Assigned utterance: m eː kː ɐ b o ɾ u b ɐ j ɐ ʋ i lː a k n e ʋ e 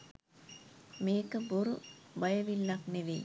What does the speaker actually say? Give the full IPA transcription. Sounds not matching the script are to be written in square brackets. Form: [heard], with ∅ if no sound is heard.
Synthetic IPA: m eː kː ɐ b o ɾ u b ɐ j ɐ ʋ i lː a k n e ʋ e